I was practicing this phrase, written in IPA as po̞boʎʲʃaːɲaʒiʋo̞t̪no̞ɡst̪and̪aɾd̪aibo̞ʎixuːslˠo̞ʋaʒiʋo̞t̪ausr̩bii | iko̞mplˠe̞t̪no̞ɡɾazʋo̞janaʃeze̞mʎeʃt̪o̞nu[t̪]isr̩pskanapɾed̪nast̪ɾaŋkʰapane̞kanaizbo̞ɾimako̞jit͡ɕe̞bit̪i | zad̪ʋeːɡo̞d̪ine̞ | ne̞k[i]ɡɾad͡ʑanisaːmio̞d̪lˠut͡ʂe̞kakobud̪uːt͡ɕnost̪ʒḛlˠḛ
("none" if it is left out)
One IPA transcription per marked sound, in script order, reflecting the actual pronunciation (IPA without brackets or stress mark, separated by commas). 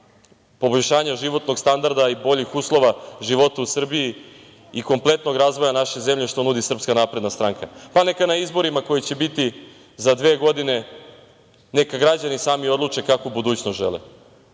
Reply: d̪, a